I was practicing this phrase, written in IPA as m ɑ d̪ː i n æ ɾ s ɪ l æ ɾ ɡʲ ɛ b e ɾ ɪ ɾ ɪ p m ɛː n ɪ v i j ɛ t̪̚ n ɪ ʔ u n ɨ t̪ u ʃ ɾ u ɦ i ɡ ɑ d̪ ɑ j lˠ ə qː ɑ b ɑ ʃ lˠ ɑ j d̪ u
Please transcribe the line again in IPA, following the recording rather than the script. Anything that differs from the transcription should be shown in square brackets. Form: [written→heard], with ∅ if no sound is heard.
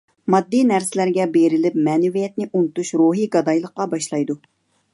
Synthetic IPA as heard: m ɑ d̪ː i n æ ɾ s ɪ l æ ɾ ɡʲ ɛ b e ɾ ɪ [ɾ→l] ɪ p m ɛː n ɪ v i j ɛ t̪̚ n ɪ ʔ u n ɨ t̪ u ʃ ɾ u ɦ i ɡ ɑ d̪ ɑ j lˠ ə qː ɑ b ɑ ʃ lˠ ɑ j d̪ u